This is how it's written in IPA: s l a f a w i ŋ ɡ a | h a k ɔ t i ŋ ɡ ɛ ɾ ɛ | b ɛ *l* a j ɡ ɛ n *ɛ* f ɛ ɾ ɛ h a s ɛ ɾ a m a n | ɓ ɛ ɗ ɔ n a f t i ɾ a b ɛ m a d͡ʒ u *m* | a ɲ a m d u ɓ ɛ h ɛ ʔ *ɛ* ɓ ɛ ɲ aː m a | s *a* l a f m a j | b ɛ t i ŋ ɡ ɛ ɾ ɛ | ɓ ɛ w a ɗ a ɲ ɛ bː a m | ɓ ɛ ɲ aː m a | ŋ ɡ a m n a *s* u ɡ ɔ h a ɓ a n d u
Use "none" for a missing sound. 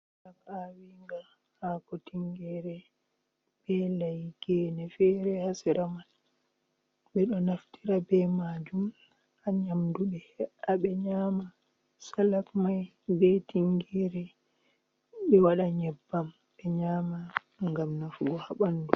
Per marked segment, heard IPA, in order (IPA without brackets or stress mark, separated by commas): l, ɛ, m, a, a, f